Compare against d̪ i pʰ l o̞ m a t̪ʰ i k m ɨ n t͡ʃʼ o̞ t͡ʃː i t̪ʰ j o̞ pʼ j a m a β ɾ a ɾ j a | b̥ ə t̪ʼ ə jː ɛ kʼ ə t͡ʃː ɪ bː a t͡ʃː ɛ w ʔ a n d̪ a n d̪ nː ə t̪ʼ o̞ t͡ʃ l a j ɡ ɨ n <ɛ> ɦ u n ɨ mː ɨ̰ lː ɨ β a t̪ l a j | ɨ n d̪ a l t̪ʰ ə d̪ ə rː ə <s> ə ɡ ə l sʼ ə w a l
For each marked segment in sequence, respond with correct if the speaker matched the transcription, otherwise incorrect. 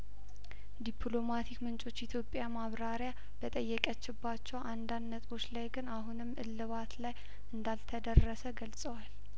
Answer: incorrect, correct

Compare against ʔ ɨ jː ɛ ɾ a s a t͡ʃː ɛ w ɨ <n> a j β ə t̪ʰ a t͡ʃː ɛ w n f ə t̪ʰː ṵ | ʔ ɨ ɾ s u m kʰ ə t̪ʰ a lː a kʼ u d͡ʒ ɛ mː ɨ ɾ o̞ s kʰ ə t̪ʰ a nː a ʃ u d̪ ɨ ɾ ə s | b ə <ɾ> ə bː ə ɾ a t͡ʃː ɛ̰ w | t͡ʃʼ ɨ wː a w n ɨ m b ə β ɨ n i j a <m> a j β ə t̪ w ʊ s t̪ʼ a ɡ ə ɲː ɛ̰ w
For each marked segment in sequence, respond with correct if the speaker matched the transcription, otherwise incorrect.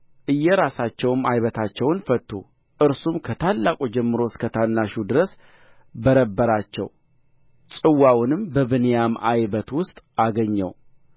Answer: incorrect, correct, correct

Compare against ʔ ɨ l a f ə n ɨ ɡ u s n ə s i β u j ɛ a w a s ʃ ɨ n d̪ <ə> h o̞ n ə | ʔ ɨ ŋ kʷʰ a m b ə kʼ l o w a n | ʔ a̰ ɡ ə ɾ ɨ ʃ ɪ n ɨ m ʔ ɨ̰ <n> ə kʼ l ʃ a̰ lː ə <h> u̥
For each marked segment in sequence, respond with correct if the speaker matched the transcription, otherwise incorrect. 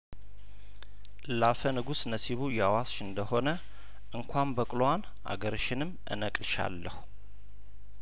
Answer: correct, correct, correct

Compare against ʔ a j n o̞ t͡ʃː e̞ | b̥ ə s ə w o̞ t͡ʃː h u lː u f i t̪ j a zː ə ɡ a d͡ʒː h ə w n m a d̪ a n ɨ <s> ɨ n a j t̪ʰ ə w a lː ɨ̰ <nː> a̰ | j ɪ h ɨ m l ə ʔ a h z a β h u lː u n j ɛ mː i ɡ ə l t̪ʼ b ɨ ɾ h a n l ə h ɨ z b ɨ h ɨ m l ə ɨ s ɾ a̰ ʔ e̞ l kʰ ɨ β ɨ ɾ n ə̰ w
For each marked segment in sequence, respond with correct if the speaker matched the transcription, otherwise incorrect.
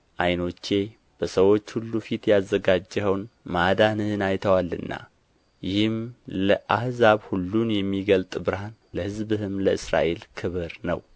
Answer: incorrect, correct

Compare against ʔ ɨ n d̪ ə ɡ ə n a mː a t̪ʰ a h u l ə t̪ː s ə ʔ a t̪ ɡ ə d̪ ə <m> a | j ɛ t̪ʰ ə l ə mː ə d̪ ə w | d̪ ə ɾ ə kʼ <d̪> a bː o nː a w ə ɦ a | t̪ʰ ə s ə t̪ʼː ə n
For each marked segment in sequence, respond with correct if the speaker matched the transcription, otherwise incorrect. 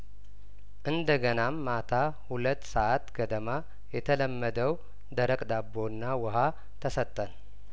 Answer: correct, correct

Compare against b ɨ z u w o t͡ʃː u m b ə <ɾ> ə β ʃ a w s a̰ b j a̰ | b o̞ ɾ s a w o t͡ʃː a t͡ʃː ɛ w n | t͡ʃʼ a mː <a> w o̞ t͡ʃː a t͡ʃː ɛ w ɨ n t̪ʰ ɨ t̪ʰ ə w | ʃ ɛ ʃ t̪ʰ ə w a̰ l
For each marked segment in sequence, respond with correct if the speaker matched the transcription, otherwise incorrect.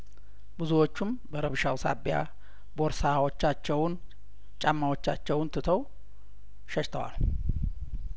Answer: correct, correct

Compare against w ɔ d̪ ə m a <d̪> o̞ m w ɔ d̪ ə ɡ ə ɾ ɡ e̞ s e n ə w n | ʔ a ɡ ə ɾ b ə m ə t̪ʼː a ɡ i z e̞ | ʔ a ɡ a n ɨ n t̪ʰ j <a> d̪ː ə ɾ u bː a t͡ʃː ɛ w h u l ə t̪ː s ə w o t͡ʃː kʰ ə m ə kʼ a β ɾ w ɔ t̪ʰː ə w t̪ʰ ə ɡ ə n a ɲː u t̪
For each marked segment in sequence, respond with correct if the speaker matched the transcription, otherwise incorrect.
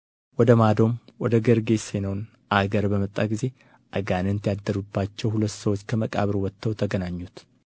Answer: correct, correct

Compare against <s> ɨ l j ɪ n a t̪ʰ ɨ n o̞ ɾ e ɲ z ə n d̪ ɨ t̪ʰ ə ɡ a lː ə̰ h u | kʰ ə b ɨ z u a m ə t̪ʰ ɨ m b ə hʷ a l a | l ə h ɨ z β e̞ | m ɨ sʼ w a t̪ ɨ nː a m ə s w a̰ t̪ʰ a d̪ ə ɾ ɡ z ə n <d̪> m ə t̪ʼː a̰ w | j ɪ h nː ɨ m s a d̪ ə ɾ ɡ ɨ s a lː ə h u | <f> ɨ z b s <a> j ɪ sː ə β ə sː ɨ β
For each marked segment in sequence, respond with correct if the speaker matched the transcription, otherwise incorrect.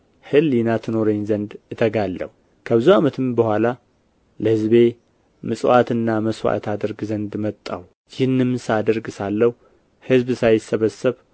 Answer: incorrect, correct, incorrect, correct

